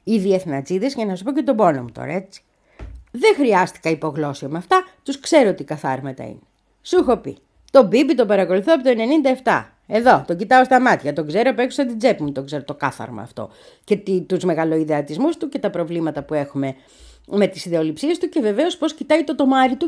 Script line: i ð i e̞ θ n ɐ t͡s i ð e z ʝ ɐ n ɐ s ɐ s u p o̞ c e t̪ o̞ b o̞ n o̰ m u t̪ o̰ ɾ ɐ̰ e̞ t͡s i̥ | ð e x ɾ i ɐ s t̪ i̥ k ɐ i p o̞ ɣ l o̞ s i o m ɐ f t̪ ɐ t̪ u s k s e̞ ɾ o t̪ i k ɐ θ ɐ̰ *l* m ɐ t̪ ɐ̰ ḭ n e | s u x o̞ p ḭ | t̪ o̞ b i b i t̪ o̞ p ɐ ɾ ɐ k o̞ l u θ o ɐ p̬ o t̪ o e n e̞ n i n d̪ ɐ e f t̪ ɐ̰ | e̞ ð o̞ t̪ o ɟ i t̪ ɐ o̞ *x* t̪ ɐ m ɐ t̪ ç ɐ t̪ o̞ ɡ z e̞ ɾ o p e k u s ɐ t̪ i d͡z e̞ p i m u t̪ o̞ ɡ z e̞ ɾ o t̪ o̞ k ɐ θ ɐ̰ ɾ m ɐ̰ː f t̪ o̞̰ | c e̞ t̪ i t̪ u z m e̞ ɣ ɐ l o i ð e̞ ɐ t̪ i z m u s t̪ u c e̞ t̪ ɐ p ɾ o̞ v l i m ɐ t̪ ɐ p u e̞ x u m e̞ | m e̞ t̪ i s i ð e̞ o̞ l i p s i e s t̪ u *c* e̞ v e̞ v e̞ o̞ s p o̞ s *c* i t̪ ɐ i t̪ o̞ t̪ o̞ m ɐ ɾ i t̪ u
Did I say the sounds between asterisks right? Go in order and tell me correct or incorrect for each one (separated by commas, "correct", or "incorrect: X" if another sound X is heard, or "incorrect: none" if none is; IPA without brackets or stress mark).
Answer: incorrect: ɾ, incorrect: s, correct, correct